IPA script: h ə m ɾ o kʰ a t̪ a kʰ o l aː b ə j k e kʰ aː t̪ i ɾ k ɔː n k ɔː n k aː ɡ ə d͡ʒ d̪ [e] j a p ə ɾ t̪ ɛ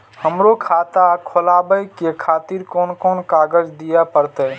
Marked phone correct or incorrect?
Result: incorrect